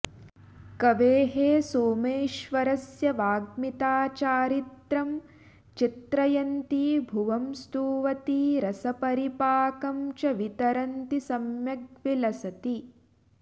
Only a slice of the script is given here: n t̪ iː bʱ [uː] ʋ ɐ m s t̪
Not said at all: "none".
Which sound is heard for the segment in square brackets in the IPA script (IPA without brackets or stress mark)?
u